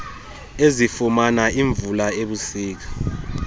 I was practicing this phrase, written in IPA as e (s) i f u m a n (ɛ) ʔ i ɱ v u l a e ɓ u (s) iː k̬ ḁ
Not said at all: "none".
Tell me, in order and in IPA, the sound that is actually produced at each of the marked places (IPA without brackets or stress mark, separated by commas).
z, a, s